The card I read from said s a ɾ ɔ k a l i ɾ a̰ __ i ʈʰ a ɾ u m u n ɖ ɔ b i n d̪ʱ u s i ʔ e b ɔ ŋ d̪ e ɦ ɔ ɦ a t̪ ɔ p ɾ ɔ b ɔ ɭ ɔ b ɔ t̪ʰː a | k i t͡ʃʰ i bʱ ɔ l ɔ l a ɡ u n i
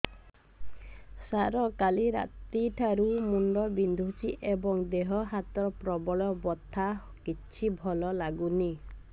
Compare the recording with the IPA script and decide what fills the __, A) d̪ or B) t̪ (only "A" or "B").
B